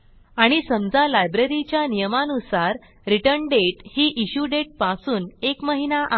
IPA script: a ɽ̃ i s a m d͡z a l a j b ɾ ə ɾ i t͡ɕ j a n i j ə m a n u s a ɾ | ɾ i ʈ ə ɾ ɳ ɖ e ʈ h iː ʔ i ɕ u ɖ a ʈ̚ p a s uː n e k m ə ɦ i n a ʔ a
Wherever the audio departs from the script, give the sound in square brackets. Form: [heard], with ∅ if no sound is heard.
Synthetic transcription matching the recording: a ɽ̃ i s [ə] m d͡z a l a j b ɾ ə ɾ i t͡ɕ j a n i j ə m a n u s a ɾ | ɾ i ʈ ə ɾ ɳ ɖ e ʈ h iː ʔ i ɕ u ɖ [e] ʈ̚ p a s uː n e k m ə ɦ i n a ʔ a